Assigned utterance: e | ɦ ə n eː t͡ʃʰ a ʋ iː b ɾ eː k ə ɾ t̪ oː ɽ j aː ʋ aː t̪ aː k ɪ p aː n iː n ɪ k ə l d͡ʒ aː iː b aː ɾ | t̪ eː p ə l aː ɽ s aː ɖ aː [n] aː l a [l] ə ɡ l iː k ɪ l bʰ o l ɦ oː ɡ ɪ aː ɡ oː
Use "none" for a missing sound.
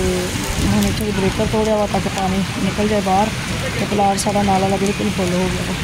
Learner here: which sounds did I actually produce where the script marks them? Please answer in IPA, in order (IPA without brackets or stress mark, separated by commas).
n, l